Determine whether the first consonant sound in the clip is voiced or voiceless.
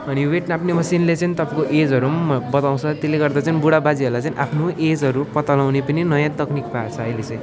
voiced